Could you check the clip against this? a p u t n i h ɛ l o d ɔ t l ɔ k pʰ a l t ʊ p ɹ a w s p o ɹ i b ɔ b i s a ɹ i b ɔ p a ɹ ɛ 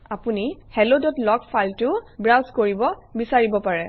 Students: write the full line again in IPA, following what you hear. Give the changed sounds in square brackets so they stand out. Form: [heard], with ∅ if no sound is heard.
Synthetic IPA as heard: a p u [∅] n i h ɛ l o d ɔ t l ɔ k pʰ a l t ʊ [b] ɹ a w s [k] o ɹ i b ɔ b i s a ɹ i b ɔ p a ɹ ɛ